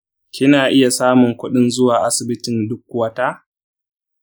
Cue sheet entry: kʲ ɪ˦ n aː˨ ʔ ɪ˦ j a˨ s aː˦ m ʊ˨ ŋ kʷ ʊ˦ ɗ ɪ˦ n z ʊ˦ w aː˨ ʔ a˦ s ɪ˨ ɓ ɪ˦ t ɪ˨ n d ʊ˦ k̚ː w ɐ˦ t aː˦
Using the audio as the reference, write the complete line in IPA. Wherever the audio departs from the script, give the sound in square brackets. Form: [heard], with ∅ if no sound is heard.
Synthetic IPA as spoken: kʲ ɪ˦ n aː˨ ʔ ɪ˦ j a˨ s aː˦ m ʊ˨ ŋ kʷ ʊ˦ ɗ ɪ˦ n z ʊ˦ w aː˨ ʔ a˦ s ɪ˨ [b] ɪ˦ t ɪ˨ n d ʊ˦ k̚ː w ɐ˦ t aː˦